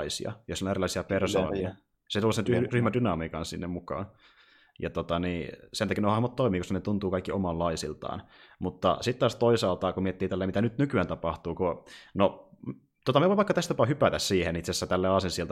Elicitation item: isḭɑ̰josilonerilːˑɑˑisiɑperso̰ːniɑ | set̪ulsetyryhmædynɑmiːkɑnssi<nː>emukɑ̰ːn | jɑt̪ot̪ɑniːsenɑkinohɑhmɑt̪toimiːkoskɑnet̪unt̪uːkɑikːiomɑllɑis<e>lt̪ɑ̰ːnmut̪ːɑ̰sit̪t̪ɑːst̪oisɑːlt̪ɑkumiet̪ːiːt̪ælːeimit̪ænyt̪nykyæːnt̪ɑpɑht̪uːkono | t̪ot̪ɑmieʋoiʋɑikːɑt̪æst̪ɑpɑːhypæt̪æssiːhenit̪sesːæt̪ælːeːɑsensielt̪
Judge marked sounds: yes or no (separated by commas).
yes, no